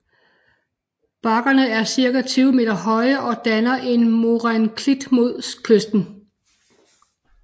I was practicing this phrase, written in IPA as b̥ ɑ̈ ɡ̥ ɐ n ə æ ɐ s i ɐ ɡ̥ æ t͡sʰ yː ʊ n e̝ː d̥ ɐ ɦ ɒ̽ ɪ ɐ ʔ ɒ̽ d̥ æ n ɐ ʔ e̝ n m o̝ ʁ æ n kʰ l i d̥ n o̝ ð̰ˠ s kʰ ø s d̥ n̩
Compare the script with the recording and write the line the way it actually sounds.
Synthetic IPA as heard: b̥ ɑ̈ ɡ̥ ɐ n ə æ ɐ s i ɐ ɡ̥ æ t͡sʰ yː ʊ m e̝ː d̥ ɐ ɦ ɒ̽ ɪ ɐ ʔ ɒ̽ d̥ æ n ɐ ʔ e̝ n m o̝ ʁ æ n kʰ l i d̥ m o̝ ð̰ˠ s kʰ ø s d̥ n̩

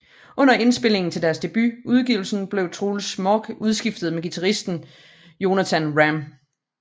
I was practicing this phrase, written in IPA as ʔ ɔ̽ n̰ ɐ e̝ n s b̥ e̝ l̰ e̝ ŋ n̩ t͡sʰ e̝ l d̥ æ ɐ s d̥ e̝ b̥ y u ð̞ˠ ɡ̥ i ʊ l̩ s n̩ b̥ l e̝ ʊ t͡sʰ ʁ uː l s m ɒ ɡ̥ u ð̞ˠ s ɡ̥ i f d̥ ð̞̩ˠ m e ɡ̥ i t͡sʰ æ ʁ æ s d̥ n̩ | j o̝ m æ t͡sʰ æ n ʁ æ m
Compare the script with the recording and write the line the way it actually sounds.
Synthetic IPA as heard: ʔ ɔ̽ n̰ ɐ e̝ n s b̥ e̝ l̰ e̝ ŋ n̩ t͡sʰ e̝ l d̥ æ ɐ s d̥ e̝ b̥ y u ð̞ˠ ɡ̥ i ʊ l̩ s n̩ b̥ l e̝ ʊ t͡sʰ ʁ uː l s m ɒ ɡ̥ u ð̞ˠ s ɡ̥ i f d̥ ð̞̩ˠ m e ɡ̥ i t͡sʰ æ ʁ i s d̥ n̩ | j o̝ n æ t͡sʰ æ n ʁ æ m

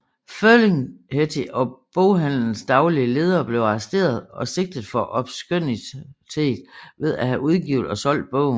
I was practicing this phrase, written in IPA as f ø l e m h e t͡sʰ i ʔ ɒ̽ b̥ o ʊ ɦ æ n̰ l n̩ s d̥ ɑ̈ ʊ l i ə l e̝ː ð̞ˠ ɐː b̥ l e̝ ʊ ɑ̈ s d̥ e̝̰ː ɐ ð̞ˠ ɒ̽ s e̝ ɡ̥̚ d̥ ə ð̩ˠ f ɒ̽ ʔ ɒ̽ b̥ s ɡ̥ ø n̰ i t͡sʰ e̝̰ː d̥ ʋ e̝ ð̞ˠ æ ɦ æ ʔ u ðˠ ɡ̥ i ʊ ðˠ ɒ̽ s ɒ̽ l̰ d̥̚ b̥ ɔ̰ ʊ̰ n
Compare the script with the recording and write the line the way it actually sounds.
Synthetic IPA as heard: f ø l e ŋ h e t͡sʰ i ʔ ɒ̽ b̥ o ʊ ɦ æ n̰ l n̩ s d̥ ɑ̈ ʊ l i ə l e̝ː ð̞ˠ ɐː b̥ l e̝ ʊ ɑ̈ s d̥ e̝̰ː ɐ ð̞ˠ ɒ̽ s e̝ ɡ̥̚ d̥ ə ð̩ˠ f ɒ̽ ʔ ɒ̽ b̥ s ɡ̥ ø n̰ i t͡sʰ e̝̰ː d̥ ʋ e̝ ð̞ˠ æ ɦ æ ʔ u ðˠ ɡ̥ i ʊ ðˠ ɒ̽ s ɒ̽ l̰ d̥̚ b̥ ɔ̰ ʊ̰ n

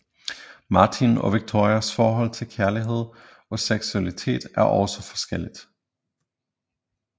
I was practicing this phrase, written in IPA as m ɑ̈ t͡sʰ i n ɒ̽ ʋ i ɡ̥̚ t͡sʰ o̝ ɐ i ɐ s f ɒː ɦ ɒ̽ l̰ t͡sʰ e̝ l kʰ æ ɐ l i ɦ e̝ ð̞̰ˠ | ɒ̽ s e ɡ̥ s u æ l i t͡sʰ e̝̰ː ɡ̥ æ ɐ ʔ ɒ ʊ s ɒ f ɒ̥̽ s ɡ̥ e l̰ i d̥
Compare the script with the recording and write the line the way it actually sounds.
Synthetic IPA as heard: m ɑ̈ t͡sʰ i n ɒ̽ ʋ i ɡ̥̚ t͡sʰ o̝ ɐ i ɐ s f ɒː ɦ ɒ̽ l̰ t͡sʰ e̝ l kʰ æ ɐ l i ɦ e̝ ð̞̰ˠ | ɒ̽ s e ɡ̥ s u æ l i t͡sʰ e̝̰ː d̥ æ ɐ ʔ ɒ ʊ s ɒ f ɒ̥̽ s ɡ̥ e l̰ i d̥

